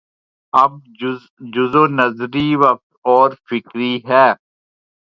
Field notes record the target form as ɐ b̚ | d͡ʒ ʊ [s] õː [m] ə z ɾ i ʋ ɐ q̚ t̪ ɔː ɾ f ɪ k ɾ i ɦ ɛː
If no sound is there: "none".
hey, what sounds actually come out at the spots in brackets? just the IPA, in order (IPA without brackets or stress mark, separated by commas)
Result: z, n